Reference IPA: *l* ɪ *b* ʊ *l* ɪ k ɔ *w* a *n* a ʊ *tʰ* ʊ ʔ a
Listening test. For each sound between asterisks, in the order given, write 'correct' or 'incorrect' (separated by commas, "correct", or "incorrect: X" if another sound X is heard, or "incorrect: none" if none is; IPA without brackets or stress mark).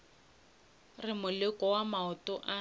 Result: incorrect: r, incorrect: m, correct, correct, incorrect: m, incorrect: t